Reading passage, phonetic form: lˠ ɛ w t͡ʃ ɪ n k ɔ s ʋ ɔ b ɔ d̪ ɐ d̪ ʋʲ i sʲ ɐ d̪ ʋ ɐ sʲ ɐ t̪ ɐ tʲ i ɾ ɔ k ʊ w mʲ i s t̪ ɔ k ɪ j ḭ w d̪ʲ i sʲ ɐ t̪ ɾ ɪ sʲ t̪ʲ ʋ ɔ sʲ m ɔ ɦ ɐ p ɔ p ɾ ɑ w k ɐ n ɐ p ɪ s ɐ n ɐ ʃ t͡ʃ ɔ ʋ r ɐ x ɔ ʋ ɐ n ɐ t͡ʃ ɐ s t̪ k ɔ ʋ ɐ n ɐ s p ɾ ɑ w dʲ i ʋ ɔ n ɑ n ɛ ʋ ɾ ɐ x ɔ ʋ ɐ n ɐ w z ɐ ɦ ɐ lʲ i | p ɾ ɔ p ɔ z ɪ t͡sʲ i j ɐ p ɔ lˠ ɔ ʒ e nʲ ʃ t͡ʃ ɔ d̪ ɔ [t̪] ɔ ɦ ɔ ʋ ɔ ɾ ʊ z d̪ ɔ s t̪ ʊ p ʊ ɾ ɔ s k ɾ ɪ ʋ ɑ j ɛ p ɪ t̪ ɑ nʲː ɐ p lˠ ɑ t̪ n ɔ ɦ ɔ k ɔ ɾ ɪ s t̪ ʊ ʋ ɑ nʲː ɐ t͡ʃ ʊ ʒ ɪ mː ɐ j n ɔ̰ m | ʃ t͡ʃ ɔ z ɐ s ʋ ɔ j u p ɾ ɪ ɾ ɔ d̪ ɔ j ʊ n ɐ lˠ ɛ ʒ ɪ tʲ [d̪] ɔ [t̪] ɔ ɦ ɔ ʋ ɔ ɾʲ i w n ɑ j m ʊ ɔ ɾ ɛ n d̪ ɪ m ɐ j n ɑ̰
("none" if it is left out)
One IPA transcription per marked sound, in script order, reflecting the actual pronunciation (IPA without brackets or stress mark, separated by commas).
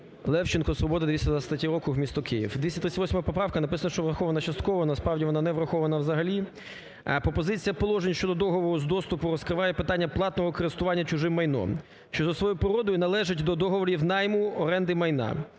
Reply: d̪, d̪, d̪